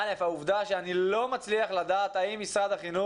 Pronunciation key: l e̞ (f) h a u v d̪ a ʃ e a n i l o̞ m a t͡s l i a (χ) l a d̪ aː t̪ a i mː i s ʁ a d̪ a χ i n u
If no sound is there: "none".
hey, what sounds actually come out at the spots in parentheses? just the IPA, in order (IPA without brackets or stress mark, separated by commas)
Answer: f, χ